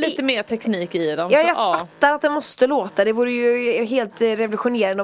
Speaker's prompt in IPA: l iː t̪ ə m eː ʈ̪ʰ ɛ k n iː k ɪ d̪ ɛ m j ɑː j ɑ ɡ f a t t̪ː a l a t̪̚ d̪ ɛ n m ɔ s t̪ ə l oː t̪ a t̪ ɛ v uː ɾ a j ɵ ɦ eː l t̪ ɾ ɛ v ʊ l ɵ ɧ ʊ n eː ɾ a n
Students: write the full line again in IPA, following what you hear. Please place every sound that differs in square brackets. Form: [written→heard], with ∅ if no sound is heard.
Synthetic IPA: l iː t̪ ə m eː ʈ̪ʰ ɛ k n iː k ɪ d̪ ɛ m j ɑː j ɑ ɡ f a t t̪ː a [l→ɾ] a t̪̚ d̪ ɛ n m ɔ s t̪ ə l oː t̪ a [t̪→d̪] ɛ v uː ɾ [a→ə] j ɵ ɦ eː l t̪ ɾ ɛ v ʊ l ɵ ɧ ʊ n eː ɾ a n